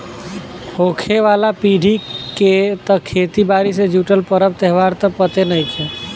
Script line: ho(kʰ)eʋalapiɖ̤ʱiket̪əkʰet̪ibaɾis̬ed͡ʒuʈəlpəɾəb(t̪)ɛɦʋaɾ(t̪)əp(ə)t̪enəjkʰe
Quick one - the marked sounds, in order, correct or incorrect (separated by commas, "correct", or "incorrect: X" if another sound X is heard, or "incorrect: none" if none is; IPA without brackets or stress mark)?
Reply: correct, correct, correct, correct